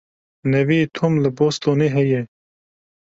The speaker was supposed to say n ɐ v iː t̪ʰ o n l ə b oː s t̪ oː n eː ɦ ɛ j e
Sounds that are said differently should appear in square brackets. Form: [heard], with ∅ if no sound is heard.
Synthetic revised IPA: n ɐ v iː t̪ʰ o [m] l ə b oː s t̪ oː n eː ɦ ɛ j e